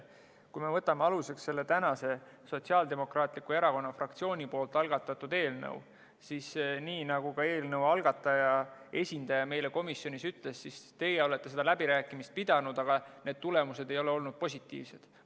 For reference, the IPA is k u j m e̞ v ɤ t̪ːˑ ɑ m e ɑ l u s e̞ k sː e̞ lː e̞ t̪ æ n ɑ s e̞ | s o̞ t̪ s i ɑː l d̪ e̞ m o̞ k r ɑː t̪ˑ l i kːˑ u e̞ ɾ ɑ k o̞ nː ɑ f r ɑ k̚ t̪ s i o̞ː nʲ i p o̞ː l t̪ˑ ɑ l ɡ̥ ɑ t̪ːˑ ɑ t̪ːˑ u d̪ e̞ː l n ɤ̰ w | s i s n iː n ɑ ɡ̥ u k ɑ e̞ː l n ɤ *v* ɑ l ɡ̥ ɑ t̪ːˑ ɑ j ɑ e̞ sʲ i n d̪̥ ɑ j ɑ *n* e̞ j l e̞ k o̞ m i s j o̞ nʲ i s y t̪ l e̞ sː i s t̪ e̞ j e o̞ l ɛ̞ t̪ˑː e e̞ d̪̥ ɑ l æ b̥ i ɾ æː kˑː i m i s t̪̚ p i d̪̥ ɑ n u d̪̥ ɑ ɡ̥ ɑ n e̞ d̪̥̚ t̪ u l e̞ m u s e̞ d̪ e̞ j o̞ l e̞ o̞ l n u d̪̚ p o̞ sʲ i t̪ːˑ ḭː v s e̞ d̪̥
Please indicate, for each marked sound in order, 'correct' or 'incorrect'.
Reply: incorrect: w, incorrect: m

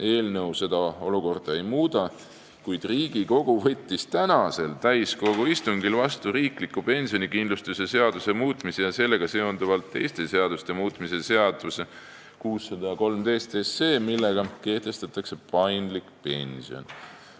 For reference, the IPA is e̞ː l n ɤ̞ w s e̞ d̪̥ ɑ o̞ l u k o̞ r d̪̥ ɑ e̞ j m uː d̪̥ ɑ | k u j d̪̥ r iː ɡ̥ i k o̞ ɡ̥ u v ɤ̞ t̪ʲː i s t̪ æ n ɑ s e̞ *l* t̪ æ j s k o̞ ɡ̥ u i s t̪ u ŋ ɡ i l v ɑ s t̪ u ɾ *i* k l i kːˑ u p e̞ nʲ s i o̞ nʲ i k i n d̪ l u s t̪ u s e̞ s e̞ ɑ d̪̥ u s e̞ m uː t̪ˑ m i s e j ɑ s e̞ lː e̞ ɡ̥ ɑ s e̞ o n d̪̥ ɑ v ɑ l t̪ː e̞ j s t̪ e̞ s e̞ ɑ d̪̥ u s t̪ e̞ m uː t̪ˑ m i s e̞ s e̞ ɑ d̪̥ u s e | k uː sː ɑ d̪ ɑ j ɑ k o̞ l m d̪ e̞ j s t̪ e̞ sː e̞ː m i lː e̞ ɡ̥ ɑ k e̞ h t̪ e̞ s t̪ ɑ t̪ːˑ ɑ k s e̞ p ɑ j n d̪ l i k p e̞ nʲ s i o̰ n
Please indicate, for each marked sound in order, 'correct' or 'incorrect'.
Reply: correct, incorrect: iː

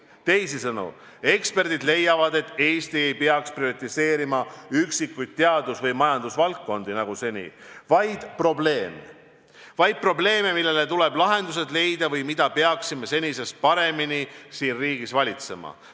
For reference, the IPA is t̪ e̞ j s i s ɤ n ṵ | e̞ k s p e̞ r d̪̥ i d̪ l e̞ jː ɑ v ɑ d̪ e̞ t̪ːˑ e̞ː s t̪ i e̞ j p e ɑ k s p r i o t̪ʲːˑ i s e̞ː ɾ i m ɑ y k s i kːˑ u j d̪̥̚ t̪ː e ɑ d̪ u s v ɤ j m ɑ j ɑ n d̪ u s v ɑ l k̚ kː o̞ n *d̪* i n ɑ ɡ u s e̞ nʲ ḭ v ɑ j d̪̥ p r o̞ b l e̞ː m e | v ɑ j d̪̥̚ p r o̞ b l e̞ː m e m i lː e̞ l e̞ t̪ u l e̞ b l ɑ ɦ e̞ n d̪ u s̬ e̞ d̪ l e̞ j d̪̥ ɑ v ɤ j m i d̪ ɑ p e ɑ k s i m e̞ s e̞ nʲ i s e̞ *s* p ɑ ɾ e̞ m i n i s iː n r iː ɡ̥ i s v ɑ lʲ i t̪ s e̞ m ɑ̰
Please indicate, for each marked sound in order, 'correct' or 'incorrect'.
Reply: correct, correct

